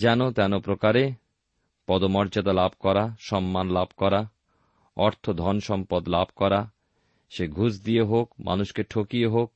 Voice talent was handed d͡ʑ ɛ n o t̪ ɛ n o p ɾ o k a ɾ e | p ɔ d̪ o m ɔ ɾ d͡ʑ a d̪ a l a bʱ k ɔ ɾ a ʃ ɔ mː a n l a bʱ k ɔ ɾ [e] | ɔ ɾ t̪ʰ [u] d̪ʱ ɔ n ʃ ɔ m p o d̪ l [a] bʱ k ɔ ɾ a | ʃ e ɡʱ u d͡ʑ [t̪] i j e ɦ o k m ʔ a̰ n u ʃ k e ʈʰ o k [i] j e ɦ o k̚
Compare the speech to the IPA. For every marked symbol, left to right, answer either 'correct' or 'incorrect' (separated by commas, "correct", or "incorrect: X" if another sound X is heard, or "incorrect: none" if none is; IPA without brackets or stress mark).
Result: incorrect: a, incorrect: o, correct, incorrect: d̪, correct